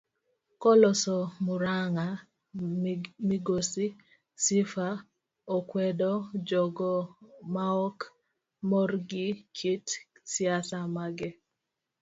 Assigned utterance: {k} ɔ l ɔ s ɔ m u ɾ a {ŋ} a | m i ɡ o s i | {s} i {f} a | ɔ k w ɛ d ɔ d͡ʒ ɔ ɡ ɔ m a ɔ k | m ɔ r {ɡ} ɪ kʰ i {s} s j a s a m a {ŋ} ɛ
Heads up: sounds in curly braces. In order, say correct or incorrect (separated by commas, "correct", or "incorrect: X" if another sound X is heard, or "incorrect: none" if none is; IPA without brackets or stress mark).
correct, correct, correct, correct, correct, incorrect: t, incorrect: ɡ